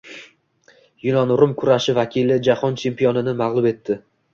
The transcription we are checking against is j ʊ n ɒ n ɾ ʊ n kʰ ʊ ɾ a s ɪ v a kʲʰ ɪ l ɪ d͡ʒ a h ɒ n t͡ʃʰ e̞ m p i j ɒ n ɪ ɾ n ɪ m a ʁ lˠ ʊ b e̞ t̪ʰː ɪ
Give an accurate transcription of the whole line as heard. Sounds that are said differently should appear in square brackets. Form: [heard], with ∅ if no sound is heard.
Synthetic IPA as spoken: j ʊ n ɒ n ɾ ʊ [m] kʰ ʊ ɾ a [ʃ] ɪ v a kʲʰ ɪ l ɪ d͡ʒ a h ɒ n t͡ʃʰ e̞ m p i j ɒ n ɪ [∅] n ɪ m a ʁ lˠ ʊ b e̞ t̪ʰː ɪ